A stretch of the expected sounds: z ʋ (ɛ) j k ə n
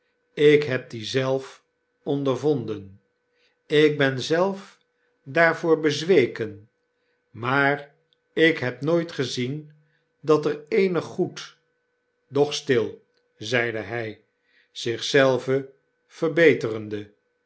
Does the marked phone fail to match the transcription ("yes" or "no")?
yes